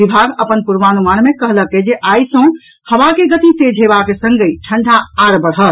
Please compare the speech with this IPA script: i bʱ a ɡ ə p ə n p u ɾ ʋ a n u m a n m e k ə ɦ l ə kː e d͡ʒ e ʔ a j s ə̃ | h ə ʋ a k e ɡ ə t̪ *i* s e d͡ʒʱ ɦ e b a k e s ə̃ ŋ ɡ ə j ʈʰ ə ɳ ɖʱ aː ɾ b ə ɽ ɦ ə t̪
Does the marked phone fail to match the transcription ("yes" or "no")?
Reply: no